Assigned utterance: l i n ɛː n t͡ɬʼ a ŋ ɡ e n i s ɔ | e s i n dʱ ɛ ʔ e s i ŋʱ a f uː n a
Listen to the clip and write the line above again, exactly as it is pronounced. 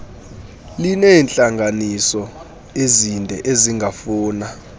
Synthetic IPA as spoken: l i n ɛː n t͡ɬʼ a ŋ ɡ a n i s ɔ | e z i n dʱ ɛ ʔ e z i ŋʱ a f uː n a